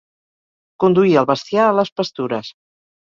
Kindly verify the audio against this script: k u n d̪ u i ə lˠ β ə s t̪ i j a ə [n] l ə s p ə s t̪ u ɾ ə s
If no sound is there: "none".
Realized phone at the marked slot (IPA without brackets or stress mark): none